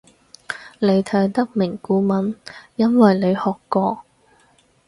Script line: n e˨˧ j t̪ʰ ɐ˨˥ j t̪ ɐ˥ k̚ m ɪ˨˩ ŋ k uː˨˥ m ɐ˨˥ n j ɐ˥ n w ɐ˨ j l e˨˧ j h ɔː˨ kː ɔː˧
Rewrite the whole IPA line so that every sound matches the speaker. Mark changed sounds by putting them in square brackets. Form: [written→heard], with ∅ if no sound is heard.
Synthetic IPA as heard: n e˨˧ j t̪ʰ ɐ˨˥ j t̪ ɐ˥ k̚ m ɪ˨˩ ŋ k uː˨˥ m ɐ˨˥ n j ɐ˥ n w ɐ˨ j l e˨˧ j h ɔː˨ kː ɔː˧